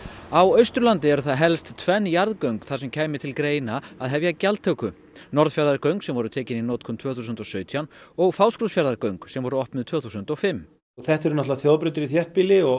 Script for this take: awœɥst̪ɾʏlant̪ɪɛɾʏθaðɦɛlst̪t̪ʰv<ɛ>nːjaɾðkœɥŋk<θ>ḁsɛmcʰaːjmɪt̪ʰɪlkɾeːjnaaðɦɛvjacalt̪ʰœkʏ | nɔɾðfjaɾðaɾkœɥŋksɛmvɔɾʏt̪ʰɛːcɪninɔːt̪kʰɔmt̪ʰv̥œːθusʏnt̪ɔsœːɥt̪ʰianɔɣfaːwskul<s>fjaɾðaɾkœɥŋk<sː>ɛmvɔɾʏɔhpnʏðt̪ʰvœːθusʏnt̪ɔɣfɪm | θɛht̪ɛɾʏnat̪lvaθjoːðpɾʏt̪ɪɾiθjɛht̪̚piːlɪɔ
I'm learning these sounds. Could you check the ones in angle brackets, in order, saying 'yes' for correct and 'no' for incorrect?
yes, yes, yes, no

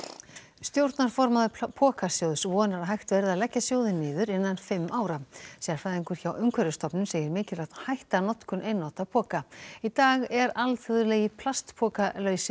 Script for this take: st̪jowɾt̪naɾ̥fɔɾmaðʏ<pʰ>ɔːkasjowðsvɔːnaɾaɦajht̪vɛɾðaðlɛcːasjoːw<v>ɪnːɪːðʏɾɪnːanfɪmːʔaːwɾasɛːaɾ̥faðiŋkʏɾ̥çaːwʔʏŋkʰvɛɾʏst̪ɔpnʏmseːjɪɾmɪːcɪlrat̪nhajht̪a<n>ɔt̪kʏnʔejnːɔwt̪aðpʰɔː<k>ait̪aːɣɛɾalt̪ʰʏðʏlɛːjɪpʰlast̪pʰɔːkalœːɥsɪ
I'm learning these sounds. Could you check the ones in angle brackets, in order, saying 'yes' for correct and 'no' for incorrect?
yes, no, yes, yes

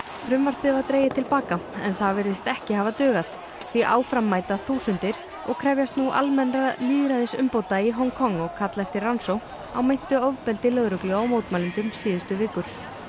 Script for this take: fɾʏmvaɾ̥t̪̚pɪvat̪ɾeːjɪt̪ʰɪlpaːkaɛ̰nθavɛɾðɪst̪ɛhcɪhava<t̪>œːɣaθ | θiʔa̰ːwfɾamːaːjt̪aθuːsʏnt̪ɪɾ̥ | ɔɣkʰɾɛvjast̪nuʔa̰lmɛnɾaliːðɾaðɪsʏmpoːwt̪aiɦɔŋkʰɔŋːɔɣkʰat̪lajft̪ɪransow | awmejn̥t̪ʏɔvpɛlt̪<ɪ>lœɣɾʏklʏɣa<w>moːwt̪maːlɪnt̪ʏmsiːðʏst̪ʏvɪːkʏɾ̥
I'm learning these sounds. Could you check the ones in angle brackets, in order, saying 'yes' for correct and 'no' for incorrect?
yes, yes, yes

